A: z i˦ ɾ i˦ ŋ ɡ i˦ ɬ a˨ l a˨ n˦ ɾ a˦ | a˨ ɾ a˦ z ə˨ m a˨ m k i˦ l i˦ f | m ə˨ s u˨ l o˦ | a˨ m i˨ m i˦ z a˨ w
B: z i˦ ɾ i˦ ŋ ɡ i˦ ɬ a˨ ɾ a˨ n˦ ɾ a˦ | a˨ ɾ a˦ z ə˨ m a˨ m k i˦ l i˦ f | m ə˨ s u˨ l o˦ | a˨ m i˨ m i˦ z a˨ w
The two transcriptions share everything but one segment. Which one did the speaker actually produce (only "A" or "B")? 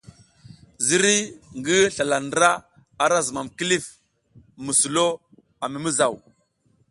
A